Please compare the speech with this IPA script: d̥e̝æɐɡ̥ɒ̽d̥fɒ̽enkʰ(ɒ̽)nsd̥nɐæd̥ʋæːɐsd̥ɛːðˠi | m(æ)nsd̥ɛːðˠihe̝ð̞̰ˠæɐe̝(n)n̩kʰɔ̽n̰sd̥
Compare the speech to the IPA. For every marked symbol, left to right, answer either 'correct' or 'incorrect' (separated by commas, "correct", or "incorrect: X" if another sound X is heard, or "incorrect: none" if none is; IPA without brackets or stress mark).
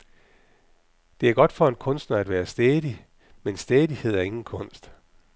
incorrect: ɔ̽, incorrect: e, incorrect: ŋ